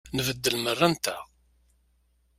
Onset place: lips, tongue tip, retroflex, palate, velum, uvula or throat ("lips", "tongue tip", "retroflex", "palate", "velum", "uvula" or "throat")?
tongue tip